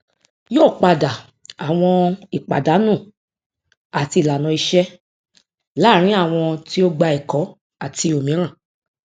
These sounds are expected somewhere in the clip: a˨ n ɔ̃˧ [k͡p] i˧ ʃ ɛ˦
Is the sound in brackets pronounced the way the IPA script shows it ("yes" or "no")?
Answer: no